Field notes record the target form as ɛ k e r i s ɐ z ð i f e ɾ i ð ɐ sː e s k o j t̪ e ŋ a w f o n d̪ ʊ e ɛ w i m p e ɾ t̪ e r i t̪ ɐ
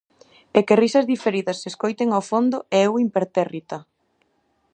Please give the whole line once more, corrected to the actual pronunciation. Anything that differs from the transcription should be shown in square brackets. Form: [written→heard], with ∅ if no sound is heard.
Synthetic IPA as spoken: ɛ k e r i s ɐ z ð i f e ɾ i ð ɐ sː e s k o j t̪ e ŋ a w f o n d̪ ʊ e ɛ w i m p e ɾ t̪ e r i t̪ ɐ